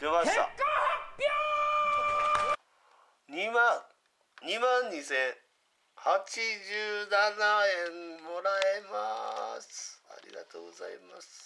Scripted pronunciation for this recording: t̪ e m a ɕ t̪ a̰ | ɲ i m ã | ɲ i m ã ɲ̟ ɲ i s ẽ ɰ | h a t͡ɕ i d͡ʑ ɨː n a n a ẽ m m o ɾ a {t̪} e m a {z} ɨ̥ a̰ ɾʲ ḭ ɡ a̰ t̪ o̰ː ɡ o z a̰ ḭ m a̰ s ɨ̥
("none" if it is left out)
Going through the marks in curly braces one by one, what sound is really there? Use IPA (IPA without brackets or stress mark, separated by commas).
none, s